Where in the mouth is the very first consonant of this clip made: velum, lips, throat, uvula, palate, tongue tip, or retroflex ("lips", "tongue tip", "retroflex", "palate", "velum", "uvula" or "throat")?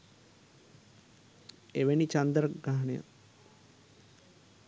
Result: lips